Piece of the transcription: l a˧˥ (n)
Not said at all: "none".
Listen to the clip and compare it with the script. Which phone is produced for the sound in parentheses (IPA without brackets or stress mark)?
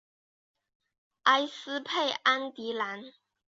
n